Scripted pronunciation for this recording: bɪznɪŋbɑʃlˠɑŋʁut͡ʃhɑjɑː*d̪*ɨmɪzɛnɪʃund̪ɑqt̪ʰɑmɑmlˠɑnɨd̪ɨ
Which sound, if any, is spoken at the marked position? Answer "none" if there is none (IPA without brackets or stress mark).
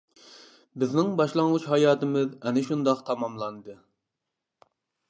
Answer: t̪